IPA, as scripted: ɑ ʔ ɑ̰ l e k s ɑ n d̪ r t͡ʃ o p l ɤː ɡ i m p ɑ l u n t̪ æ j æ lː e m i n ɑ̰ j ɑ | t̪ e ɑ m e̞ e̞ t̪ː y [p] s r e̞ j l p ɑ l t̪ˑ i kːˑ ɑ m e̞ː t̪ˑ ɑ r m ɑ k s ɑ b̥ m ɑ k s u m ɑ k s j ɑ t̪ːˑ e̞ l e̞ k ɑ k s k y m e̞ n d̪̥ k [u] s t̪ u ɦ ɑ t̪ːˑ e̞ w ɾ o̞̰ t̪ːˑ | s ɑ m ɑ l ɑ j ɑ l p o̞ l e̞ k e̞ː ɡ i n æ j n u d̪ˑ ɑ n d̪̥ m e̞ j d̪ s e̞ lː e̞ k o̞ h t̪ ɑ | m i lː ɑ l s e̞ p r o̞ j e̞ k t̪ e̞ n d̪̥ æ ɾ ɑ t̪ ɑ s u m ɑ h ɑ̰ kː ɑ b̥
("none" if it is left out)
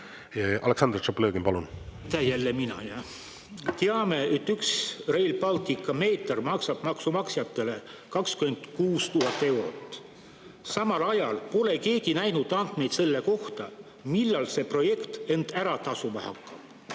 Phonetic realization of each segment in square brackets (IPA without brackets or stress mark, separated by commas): k, uː